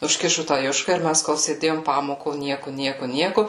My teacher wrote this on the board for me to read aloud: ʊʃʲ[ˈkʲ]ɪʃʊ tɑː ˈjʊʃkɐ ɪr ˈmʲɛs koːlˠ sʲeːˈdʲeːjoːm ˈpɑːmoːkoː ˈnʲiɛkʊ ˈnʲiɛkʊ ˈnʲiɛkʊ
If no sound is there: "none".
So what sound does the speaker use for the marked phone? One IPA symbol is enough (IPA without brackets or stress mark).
kʲ